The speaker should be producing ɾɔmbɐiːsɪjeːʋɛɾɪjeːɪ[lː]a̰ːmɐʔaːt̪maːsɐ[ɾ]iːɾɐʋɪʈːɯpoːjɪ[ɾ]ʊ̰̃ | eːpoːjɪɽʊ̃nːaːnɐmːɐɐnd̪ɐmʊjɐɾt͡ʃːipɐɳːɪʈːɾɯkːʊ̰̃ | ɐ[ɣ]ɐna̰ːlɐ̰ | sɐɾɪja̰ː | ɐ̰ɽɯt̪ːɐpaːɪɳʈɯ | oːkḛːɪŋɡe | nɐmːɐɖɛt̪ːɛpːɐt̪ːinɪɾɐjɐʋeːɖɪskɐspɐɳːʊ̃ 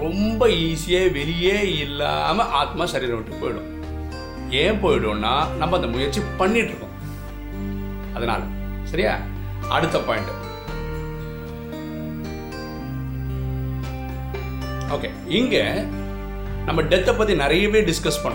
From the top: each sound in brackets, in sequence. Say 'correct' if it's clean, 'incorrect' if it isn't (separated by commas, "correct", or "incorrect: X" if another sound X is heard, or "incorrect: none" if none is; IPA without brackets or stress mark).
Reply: correct, correct, incorrect: ɽ, incorrect: ð